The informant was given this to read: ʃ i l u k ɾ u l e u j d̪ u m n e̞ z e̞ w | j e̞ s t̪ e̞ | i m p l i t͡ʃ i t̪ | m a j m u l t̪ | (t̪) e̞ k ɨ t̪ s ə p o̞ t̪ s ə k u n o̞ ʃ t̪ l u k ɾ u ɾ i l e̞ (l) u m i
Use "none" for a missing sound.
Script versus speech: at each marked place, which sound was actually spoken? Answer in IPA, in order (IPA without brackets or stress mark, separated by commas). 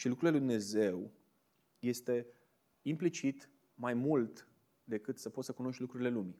d̪, l